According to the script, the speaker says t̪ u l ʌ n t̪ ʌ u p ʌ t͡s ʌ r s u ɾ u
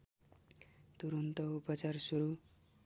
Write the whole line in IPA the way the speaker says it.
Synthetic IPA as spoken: t̪ u ɾ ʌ n t̪ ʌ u p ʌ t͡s a r s u ɾ u